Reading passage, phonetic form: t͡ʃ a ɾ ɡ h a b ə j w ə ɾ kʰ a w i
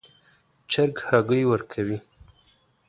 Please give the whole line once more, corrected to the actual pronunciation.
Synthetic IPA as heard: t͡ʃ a ɾ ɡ h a ɡ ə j w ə ɾ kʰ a w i